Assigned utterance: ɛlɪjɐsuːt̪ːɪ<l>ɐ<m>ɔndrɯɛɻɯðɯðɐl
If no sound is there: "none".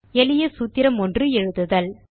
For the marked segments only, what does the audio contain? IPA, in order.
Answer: ɾ, m

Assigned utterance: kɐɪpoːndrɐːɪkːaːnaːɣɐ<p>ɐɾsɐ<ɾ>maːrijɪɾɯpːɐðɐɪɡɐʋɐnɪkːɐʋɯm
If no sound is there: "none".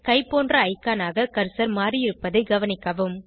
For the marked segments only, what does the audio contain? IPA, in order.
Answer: k, ɾ

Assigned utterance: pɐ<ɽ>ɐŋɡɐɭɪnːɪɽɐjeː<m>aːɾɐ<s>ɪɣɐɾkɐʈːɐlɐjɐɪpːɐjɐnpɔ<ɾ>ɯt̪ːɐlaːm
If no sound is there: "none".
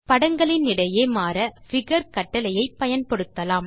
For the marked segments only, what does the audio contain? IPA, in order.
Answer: ɽ, m, f, ɽ

